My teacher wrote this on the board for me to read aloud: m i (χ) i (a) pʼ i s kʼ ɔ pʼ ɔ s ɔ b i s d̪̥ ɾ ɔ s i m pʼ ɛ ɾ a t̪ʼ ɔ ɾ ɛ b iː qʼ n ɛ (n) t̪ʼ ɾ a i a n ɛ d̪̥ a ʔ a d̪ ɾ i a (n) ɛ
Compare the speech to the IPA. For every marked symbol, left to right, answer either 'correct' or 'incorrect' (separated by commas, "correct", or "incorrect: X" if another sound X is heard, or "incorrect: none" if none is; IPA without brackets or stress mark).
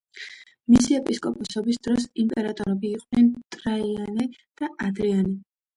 incorrect: s, incorrect: ɛ, correct, correct